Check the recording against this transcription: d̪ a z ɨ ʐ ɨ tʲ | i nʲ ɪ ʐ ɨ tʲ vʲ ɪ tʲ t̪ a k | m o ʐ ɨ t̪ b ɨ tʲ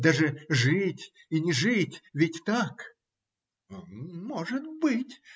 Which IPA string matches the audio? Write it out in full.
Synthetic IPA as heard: d̪ a ʐ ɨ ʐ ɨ tʲ | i nʲ ɪ ʐ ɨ tʲ vʲ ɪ tʲ t̪ a k | m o ʐ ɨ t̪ b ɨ tʲ